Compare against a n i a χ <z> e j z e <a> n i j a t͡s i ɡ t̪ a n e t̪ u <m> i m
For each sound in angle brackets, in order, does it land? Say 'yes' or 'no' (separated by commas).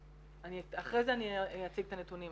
no, yes, no